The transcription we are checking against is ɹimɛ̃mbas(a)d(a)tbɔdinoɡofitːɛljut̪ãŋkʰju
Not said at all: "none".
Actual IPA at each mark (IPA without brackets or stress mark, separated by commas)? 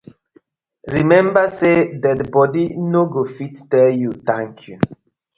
e, ɛ